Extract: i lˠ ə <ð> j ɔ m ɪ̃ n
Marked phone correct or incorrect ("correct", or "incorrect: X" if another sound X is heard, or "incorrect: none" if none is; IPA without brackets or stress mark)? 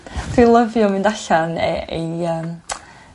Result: incorrect: v